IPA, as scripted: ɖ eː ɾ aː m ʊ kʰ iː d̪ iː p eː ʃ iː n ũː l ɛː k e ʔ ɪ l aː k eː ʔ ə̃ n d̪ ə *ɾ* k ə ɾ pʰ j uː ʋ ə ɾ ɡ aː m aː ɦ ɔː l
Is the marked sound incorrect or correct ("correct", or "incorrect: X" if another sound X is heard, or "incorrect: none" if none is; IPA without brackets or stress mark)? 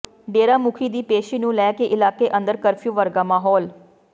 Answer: correct